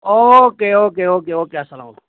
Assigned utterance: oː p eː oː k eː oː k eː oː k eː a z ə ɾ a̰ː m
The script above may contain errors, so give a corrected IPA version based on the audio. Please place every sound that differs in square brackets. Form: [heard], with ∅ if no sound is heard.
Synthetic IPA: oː [k] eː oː k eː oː k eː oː k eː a [s] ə [l] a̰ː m